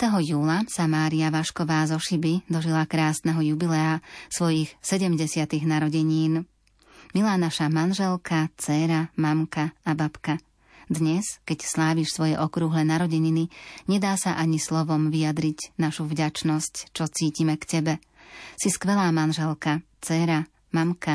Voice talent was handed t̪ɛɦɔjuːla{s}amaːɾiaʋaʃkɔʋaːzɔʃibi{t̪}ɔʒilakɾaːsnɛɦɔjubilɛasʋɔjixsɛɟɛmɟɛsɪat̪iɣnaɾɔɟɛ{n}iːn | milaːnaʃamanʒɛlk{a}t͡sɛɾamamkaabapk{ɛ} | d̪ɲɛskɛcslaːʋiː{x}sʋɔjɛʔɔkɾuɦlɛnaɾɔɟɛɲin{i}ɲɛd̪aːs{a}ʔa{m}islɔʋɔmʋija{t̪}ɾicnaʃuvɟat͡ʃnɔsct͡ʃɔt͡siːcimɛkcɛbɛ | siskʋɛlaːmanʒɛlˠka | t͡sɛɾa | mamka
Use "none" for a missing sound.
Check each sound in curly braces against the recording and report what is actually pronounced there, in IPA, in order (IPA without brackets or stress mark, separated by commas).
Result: s, d̪, ɲ, a, a, ʃ, i, a, ɲ, d̪